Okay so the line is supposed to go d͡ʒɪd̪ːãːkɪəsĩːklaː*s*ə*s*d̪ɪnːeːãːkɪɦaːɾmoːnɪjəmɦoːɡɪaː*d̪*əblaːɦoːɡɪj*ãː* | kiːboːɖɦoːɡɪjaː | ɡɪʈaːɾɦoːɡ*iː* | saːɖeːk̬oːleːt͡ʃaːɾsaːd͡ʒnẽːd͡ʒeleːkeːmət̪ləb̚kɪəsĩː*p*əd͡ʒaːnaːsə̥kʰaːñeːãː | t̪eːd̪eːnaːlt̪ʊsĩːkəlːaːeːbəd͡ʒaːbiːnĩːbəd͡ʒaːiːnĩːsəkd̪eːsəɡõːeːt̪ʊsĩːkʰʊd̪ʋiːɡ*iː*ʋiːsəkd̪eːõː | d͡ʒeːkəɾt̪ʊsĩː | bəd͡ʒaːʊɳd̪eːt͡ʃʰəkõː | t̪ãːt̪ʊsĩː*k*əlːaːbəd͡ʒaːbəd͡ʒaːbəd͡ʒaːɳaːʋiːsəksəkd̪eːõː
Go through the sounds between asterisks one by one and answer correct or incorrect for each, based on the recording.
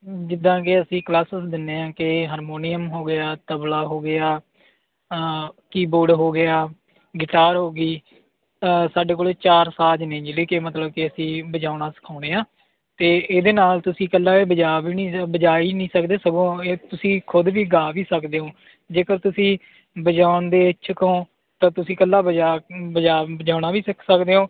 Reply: correct, correct, incorrect, incorrect, correct, incorrect, incorrect, correct

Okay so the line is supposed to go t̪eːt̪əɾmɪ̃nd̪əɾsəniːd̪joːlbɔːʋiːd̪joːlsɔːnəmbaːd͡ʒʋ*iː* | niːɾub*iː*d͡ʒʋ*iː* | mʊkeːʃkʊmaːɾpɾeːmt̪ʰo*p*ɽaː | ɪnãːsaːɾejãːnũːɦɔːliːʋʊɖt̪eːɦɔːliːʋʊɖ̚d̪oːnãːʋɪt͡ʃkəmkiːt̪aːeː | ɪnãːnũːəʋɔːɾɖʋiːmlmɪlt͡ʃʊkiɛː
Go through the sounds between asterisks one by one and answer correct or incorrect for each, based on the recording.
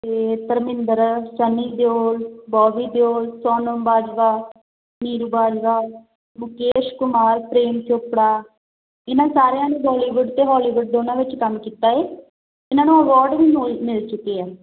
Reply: incorrect, incorrect, incorrect, correct

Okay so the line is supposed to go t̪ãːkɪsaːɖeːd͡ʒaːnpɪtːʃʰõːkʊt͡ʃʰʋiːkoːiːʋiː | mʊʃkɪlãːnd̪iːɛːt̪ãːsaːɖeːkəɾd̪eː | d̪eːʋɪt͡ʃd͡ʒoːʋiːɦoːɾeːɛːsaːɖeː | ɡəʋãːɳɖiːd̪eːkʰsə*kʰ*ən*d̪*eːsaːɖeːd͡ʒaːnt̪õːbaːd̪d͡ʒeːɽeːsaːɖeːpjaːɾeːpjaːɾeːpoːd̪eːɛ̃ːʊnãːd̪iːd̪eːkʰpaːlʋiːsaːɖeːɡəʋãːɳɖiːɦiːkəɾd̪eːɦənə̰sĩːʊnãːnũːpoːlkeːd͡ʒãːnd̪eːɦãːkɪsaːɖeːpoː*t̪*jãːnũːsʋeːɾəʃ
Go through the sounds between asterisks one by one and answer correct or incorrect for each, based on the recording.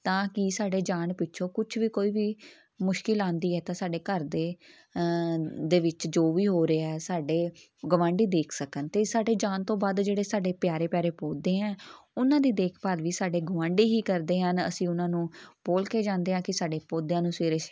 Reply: incorrect, incorrect, incorrect

